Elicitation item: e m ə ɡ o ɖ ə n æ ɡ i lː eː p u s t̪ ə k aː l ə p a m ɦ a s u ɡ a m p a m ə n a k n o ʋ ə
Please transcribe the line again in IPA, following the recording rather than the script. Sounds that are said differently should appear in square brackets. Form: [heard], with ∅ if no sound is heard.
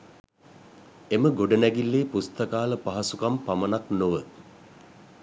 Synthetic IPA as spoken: e m ə ɡ o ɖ ə n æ ɡ i lː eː p u s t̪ ə k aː l ə p a [∅] ɦ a s u [k] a m p a m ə n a k n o ʋ ə